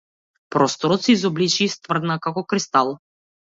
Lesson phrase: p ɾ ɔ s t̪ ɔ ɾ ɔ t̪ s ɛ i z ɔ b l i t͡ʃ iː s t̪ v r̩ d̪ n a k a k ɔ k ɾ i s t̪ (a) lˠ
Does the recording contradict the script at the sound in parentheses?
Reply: no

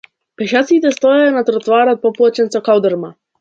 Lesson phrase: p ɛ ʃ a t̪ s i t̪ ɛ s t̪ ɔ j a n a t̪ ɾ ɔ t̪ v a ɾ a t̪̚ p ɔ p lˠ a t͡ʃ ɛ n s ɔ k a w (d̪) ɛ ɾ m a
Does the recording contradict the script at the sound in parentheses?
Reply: no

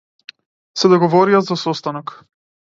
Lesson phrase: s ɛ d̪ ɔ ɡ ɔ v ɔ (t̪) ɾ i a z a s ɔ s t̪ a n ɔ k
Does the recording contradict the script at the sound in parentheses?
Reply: yes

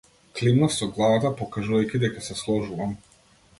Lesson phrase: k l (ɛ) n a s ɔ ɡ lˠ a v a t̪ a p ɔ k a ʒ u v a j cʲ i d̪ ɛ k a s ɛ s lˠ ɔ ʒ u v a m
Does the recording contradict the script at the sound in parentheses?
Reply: yes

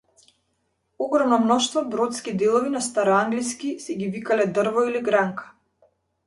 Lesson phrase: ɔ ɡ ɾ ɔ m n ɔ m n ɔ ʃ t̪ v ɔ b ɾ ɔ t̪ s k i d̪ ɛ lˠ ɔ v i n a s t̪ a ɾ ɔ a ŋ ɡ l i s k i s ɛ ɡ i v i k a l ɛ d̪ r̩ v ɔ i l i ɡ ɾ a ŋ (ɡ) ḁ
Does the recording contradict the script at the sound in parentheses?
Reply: yes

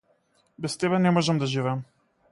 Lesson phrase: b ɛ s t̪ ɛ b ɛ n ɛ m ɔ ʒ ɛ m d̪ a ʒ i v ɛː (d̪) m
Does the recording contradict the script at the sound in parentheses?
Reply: yes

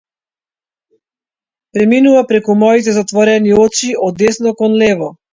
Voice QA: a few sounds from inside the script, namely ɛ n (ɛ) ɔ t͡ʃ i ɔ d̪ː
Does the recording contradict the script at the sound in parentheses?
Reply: yes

